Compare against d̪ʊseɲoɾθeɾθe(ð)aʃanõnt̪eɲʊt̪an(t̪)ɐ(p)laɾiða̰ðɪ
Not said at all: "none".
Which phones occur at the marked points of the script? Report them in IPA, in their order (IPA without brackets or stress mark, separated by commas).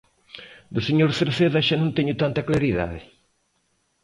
ð, t̪, k